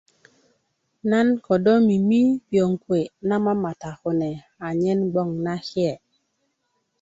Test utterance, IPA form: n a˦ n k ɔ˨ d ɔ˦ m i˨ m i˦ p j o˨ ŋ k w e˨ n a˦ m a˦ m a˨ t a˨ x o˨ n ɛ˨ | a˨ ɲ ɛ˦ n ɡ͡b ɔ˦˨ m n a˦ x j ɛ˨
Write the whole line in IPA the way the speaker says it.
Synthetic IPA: n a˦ n k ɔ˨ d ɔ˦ m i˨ m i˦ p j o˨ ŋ k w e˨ n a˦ m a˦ m a˨ t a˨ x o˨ n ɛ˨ | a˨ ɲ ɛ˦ n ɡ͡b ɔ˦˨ ŋ n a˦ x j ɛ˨

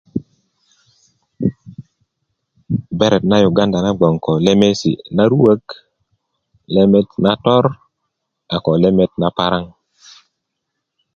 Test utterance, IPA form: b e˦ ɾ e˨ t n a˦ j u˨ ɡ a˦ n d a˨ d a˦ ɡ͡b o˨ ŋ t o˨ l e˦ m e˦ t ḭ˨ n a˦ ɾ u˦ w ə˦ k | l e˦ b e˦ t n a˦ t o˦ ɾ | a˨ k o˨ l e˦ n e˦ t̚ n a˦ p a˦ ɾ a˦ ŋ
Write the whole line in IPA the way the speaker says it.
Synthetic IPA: b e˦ ɾ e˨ t n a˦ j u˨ ɡ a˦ n d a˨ n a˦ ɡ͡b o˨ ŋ k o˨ l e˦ m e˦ s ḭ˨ n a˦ ɾ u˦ w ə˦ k | l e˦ m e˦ t n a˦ t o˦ ɾ | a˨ k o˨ l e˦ m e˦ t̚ n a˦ p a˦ ɾ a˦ ŋ

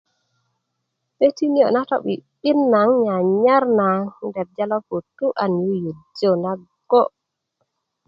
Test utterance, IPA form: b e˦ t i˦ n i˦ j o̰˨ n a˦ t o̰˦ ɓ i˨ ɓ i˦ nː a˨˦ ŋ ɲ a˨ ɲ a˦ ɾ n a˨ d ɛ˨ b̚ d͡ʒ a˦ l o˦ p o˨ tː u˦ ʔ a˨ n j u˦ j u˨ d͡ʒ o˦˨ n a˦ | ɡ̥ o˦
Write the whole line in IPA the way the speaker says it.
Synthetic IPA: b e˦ t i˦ n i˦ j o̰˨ n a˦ t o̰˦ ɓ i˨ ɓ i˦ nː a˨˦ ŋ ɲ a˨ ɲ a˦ ɾ n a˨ d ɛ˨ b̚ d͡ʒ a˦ l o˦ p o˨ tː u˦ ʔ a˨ n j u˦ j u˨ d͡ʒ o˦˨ n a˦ | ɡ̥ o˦

